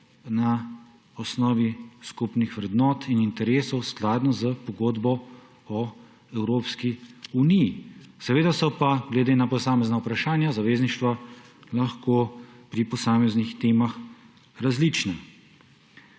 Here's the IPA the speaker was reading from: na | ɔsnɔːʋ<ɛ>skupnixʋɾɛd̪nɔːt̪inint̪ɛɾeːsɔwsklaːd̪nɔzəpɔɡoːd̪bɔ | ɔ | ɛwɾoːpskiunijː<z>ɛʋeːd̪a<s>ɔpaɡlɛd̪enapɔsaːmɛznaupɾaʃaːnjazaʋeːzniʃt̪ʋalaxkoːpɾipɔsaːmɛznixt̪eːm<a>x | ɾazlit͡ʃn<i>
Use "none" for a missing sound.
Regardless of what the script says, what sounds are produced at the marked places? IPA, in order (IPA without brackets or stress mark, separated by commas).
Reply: i, s, s, a, ɛ